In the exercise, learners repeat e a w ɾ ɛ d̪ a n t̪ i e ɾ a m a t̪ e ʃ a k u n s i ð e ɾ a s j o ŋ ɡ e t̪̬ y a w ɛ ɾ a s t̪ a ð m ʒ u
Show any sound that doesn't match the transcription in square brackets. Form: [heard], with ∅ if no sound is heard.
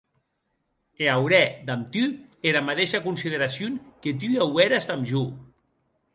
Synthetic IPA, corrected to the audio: e a w ɾ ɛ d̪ a [m] t̪ [y] e ɾ a m a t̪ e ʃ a k u n s i ð e ɾ a s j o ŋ [k] e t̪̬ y a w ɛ ɾ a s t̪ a [∅] m ʒ u